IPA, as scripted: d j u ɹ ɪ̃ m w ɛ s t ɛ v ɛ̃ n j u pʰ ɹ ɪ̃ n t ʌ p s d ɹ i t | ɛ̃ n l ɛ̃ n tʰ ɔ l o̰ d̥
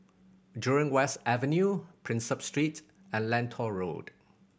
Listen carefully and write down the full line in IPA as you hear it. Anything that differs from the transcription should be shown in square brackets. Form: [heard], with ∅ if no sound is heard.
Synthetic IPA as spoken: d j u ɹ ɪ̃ [ŋ] w ɛ s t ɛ v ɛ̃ n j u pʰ ɹ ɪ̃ n [s] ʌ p s [t] ɹ i t | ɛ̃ n l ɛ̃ n tʰ ɔ [ɹ] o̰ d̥